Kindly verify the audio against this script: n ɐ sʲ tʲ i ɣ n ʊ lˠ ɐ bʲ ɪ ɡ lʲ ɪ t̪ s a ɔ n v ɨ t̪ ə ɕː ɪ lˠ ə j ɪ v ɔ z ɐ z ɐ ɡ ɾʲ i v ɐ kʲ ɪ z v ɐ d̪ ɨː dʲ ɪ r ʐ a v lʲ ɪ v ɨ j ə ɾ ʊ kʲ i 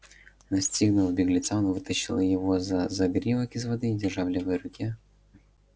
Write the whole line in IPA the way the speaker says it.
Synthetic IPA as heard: n ɐ sʲ tʲ i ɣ n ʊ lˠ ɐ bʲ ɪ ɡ lʲ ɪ t̪ s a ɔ n v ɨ t̪ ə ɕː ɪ lˠ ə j ɪ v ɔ z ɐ z ɐ ɡ ɾʲ i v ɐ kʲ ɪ z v ɐ d̪ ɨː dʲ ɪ r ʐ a v lʲ ɪ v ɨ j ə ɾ ʊ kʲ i